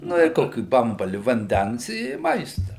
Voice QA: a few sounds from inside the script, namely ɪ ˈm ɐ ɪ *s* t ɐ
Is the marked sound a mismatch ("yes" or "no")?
no